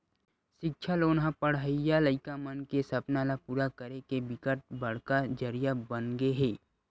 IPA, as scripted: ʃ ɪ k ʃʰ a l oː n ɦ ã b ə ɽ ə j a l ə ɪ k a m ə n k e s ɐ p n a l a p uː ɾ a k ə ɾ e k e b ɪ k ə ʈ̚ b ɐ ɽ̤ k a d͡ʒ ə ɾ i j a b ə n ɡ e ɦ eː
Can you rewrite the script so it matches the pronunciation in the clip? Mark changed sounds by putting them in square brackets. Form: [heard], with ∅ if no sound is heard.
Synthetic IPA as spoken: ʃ ɪ k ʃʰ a l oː n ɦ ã [p] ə ɽ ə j a l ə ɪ k a m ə n k e s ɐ p n a l a p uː ɾ a k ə ɾ e k e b ɪ k ə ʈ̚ b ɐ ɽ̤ k a d͡ʒ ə ɾ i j a b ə n ɡ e ɦ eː